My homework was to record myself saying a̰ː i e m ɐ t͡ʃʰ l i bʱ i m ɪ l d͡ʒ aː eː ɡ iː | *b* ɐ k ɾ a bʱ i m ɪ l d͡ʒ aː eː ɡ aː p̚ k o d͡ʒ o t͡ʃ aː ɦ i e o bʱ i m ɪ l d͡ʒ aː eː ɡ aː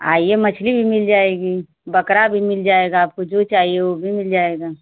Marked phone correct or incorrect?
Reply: correct